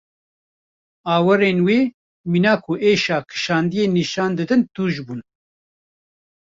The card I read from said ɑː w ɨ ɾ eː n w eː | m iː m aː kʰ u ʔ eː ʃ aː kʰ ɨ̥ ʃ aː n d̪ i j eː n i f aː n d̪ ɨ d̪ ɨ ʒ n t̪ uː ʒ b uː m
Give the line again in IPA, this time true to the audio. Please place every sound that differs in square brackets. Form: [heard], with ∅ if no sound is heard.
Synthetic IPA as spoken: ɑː w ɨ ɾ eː n w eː | m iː [n] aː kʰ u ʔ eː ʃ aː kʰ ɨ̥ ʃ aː n d̪ i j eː n i [ʃ] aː n d̪ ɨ d̪ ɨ [∅] n t̪ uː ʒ b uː [n]